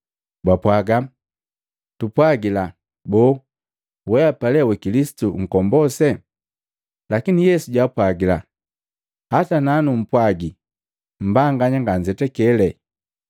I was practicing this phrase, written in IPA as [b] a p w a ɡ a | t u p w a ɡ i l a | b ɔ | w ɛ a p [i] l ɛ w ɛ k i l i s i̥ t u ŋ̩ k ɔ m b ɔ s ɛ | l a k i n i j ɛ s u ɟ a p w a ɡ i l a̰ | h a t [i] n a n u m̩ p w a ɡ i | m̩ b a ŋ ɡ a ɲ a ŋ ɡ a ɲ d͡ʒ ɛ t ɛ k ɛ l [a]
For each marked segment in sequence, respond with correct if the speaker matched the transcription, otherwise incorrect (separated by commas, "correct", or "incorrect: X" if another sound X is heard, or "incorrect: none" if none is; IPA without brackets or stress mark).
correct, incorrect: a, incorrect: a, incorrect: ɛ